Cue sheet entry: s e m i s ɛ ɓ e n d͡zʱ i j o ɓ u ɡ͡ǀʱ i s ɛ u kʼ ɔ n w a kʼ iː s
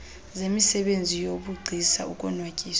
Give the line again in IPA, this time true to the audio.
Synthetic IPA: z e m i s ɛ ɓ e n d͡zʱ i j o ɓ u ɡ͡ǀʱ i s a u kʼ ɔ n w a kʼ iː s